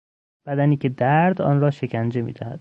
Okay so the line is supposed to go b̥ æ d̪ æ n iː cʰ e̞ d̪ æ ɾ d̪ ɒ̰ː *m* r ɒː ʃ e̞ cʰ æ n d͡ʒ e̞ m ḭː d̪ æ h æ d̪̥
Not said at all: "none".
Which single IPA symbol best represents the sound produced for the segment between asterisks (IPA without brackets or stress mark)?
n